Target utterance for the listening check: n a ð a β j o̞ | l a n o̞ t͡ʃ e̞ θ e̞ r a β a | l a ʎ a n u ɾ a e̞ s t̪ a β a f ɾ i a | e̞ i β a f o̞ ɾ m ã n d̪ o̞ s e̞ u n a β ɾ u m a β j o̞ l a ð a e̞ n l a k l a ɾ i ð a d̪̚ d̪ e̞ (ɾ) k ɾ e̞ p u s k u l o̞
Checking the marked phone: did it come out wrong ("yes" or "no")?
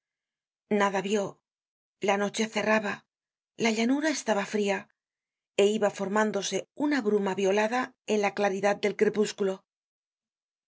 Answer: yes